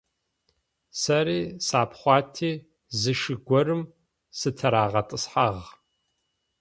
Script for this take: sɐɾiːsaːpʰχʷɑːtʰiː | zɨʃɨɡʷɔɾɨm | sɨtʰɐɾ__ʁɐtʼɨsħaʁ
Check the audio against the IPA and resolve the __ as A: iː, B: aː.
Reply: B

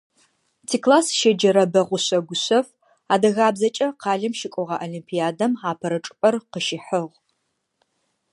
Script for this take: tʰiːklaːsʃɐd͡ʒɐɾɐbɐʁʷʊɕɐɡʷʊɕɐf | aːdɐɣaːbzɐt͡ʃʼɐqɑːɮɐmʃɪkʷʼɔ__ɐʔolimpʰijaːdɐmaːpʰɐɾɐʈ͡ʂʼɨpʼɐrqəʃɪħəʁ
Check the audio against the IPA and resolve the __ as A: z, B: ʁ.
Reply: B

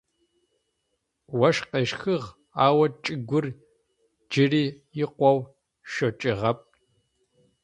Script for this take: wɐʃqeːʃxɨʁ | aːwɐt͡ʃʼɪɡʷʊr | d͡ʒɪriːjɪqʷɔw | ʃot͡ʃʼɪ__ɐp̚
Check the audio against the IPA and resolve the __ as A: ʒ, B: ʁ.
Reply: B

